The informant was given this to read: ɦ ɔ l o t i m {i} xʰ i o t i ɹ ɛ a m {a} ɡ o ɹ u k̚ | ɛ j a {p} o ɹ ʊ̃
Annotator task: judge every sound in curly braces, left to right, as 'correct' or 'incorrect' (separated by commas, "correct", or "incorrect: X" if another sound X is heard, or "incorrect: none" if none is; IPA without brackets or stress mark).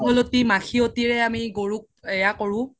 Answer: incorrect: a, incorrect: i, incorrect: k